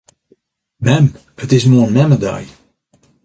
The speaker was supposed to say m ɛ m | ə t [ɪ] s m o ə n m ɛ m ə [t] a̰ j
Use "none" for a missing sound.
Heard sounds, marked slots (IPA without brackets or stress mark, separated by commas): ɪ, d